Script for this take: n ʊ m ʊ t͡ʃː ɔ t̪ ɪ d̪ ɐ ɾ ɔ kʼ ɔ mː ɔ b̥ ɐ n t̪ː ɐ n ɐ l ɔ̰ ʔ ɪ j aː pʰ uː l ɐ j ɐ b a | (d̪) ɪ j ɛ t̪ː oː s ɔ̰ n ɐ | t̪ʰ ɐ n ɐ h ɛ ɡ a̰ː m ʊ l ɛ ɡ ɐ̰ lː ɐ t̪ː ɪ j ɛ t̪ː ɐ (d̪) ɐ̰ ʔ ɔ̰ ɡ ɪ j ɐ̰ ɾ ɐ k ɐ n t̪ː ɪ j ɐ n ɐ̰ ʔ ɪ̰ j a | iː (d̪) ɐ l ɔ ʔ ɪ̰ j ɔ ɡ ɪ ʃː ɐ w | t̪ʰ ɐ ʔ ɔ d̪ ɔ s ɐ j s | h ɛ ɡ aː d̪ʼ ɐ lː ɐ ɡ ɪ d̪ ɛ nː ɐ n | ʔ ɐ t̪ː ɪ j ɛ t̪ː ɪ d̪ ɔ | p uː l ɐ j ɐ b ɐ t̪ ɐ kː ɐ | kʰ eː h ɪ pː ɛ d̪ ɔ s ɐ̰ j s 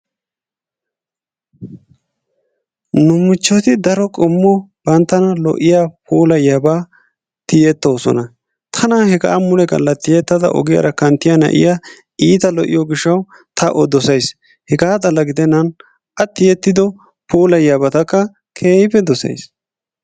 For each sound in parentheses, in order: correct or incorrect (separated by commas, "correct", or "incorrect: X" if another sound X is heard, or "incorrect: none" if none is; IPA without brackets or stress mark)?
incorrect: t̪, correct, incorrect: t̪